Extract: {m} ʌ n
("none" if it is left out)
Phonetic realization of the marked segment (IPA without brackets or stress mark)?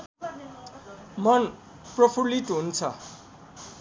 m